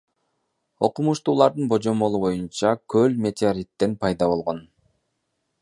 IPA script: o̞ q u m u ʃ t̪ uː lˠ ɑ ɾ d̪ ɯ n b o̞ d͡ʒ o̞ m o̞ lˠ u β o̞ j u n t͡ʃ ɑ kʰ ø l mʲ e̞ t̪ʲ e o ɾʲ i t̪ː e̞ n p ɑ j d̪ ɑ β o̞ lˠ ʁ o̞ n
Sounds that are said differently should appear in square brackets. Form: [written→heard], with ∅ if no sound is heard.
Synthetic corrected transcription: o̞ q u m u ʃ t̪ uː lˠ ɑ ɾ d̪ ɯ n b o̞ d͡ʒ o̞ m o̞ lˠ u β o̞ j u n t͡ʃ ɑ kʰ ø l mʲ e̞ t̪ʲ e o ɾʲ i t̪ː e̞ n p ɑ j d̪ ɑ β o̞ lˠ ʁ o̞ n